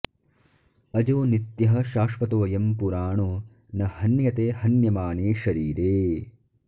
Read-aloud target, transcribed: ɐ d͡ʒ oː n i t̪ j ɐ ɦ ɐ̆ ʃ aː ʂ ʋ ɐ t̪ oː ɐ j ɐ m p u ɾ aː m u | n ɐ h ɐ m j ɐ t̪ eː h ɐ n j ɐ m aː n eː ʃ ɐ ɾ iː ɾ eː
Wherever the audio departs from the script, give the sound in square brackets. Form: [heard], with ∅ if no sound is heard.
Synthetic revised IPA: ɐ d͡ʒ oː n i t̪ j ɐ ɦ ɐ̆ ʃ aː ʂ ʋ ɐ t̪ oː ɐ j ɐ m p u ɾ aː [ɳ] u | n ɐ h ɐ [n] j ɐ t̪ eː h ɐ n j ɐ m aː n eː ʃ ɐ ɾ iː ɾ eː